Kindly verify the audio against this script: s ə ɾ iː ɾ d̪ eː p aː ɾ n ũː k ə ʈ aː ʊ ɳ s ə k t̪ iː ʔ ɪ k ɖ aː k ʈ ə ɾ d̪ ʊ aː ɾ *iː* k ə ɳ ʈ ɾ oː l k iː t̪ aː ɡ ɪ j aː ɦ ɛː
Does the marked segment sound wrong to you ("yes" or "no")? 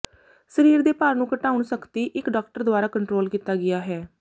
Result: yes